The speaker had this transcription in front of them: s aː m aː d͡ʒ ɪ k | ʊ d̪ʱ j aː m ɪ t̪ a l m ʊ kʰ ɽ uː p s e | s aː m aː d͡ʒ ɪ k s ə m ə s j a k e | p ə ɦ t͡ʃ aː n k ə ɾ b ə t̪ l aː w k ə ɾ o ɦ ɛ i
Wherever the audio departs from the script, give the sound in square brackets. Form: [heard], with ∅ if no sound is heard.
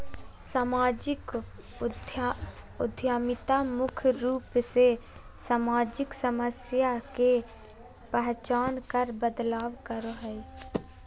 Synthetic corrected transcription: s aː m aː d͡ʒ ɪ k | ʊ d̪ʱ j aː m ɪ t̪ a [∅] m ʊ kʰ [ɾ] uː p s e | s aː m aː d͡ʒ ɪ k s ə m ə s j a k e | p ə ɦ t͡ʃ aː n k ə ɾ b ə [d̪] l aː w k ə ɾ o ɦ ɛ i